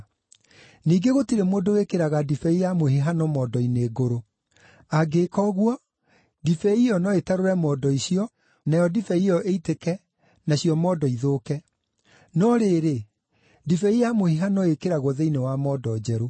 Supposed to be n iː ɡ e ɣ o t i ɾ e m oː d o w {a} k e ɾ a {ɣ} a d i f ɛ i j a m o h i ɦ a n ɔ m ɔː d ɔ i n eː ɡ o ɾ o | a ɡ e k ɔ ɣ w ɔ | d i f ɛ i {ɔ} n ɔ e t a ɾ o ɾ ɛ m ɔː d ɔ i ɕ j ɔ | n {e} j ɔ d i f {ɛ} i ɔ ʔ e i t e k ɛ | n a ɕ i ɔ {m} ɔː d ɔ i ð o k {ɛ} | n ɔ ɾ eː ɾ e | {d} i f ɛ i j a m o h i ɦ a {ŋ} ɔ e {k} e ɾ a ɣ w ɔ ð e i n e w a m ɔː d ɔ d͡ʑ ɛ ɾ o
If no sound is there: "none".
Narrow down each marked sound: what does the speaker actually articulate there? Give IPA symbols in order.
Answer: e, ɣ, ɔ, a, ɛ, m, ɛ, d, n, k

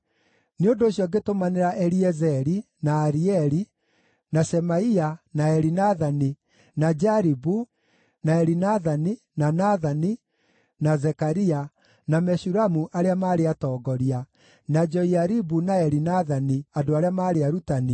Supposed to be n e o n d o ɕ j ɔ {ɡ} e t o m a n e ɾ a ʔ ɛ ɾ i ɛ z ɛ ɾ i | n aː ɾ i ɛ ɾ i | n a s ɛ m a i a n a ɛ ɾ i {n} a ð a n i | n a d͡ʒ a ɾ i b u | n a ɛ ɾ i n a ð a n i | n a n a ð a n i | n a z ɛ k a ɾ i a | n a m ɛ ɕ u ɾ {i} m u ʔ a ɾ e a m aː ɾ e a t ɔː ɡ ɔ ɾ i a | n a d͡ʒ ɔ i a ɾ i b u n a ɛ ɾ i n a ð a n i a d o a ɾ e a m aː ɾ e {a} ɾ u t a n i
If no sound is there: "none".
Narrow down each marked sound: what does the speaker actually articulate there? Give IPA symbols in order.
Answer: ɡ, n, a, a

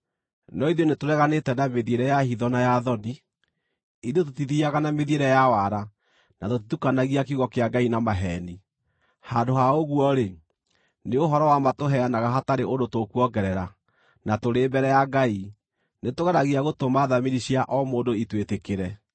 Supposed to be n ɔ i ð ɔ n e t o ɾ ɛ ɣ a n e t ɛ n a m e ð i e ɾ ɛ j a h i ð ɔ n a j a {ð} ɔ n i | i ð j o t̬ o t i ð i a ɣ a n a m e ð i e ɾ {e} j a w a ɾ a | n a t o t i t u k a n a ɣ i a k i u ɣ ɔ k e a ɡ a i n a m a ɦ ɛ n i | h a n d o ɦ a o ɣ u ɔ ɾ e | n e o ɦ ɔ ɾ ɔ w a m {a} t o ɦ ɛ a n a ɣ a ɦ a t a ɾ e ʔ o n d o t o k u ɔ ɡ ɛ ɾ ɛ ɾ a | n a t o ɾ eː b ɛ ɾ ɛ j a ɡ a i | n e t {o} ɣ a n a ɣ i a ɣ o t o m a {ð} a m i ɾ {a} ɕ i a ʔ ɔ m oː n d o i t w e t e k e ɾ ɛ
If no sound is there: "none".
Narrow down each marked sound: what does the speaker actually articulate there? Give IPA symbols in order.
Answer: ð, ɛ, a, o, ð, i

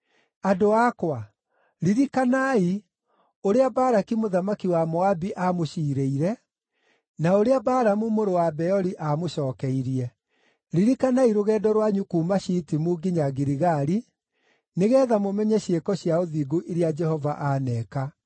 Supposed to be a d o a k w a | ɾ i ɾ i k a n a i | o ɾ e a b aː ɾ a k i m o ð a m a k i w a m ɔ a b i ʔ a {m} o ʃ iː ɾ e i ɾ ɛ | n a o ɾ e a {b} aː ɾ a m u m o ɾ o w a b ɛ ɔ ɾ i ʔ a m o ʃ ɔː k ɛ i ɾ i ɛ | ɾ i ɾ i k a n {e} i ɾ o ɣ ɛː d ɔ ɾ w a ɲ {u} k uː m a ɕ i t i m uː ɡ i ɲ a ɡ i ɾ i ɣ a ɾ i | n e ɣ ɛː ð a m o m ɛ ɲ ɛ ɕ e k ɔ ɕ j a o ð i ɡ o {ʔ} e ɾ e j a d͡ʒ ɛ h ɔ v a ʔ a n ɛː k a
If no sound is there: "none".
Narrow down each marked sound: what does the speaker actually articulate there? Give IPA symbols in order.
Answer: m, b, a, u, ʔ

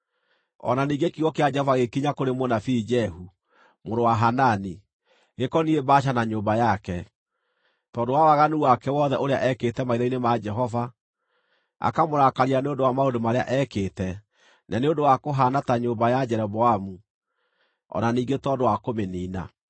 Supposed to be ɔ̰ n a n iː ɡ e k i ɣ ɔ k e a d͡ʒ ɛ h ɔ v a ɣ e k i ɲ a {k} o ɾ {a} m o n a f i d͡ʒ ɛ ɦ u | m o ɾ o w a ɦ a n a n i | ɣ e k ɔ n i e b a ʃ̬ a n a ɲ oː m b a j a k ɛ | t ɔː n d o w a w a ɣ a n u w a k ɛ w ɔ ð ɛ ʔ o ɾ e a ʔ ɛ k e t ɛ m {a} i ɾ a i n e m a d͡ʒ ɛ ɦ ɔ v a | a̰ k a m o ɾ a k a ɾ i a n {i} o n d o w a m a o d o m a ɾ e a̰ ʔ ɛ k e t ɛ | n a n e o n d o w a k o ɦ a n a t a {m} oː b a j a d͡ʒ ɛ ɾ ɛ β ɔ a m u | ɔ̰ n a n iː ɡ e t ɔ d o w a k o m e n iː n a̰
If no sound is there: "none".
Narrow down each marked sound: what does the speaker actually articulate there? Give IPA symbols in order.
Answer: k, e, a, e, ɲ

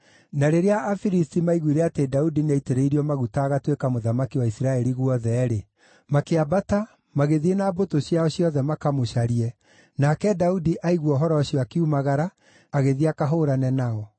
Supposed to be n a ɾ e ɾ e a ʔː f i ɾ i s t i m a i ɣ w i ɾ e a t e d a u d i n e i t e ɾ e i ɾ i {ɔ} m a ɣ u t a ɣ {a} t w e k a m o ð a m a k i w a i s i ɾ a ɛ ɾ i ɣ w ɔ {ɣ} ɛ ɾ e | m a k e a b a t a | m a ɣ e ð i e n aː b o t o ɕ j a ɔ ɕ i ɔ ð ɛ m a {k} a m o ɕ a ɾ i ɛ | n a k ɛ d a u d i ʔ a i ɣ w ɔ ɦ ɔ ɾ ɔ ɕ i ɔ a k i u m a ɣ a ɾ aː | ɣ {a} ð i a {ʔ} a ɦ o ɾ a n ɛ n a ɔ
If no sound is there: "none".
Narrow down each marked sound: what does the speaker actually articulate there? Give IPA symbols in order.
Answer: ɔ, a, ð, k, e, k

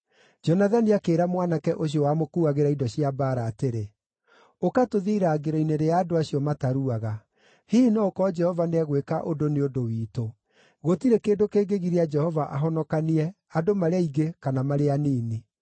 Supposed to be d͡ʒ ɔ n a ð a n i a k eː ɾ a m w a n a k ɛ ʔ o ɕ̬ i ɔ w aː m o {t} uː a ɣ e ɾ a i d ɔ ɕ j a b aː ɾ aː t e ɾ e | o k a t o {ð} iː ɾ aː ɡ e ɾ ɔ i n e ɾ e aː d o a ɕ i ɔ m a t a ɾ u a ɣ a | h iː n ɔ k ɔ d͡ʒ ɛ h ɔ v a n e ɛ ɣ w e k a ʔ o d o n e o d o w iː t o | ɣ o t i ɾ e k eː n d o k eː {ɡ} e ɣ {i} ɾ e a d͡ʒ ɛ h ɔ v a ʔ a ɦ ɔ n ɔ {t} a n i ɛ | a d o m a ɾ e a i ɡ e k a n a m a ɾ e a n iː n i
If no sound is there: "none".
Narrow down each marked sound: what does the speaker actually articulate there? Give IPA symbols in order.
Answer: k, ð, ɡ, i, k

